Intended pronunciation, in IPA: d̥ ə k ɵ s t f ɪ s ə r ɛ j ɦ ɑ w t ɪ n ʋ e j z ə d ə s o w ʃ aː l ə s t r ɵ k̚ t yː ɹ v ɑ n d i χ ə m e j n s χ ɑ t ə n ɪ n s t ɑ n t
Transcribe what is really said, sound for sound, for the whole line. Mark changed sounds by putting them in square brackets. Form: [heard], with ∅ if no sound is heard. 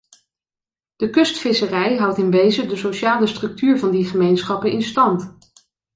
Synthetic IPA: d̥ ə k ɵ s t f ɪ s ə r ɛ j ɦ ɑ w t ɪ n ʋ e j z ə d ə s o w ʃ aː l ə s t r ɵ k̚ t yː ɹ v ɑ n d i χ ə m e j n s χ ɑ [p] ə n ɪ n s t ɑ n t